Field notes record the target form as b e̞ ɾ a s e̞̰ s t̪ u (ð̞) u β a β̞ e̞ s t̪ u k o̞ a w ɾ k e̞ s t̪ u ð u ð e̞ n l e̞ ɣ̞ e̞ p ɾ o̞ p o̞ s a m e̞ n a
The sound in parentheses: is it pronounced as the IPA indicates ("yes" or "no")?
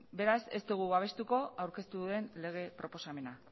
no